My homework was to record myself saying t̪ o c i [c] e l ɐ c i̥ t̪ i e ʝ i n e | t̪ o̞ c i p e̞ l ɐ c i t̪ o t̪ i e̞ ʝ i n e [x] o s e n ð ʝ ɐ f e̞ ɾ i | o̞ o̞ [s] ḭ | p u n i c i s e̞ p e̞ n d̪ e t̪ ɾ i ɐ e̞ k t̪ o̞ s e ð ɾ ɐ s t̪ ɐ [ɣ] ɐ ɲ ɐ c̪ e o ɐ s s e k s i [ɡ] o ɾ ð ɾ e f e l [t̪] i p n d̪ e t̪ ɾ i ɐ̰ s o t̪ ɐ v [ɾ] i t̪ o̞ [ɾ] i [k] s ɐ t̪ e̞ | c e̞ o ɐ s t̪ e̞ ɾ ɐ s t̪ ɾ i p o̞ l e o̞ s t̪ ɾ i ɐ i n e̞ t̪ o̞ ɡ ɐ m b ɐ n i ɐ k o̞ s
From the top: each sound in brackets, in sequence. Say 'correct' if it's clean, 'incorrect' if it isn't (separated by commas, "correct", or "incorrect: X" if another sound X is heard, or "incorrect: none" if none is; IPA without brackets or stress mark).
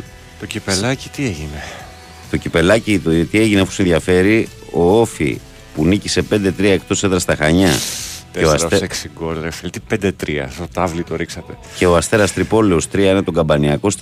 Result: incorrect: p, incorrect: f, incorrect: f, incorrect: x, correct, correct, incorrect: l, correct, correct